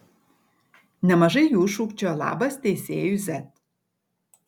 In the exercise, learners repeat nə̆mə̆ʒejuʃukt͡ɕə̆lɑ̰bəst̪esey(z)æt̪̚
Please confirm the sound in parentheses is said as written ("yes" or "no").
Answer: yes